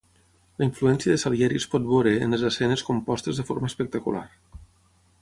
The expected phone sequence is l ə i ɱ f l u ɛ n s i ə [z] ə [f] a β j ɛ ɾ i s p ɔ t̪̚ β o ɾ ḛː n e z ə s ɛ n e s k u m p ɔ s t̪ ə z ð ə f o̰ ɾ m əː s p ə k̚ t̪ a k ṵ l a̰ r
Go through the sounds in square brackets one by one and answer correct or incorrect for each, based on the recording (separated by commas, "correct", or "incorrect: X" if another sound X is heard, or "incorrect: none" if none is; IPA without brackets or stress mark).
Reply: incorrect: ð, incorrect: s